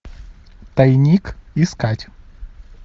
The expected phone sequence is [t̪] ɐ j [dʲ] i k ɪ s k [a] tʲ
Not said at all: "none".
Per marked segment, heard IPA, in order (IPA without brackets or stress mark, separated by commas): t̪, nʲ, a